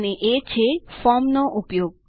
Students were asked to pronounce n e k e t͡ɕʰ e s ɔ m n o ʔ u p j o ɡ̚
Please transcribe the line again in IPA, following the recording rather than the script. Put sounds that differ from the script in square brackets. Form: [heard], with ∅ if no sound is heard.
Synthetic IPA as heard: n e [ʔ] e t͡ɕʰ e [f] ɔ m n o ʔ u p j o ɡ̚